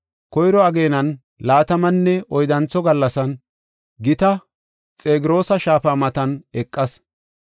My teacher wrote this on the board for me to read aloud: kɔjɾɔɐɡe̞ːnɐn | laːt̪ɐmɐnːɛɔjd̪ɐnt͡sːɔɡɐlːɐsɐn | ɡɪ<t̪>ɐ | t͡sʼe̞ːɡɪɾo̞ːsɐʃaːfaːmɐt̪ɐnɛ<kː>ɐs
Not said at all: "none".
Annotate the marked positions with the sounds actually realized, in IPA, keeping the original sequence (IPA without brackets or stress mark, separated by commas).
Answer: t̪, kʼː